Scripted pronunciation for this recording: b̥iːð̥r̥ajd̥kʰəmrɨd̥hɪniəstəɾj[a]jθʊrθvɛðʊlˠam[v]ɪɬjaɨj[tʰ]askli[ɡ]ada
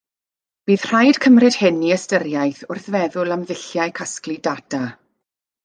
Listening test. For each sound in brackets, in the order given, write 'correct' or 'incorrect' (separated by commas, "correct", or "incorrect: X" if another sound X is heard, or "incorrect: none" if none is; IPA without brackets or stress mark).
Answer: correct, incorrect: ð, incorrect: kʰ, incorrect: d